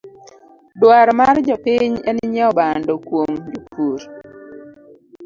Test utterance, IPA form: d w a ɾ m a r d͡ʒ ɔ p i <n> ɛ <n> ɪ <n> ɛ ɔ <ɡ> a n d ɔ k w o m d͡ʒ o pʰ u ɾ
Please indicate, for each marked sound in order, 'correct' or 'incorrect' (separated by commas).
incorrect, correct, incorrect, incorrect